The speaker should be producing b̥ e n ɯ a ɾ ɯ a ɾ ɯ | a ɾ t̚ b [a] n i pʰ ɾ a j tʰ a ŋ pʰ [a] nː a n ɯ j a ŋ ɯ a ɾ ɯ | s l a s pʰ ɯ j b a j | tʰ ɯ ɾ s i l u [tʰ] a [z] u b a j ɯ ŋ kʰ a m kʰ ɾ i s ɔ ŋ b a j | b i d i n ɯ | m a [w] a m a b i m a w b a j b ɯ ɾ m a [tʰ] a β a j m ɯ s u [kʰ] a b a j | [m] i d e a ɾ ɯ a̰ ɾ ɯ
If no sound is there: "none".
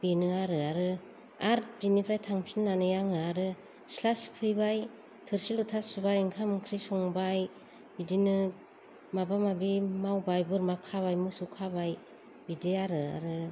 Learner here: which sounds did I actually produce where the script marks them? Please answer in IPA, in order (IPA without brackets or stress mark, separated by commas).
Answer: i, i, tʰ, s, b, kʰ, kʰ, b